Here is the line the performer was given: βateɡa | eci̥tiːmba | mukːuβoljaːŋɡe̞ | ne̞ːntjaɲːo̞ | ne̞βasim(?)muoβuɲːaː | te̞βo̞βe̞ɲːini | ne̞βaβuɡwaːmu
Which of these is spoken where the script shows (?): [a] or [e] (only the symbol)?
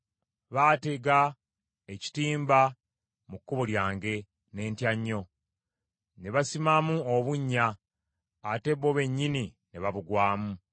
a